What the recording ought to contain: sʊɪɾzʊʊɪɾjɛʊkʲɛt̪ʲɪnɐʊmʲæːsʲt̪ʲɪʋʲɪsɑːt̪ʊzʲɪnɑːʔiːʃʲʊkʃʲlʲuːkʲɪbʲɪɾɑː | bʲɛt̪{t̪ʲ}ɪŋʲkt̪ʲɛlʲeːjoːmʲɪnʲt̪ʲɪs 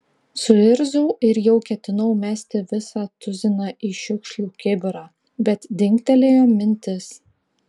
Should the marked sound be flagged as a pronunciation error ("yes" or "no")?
yes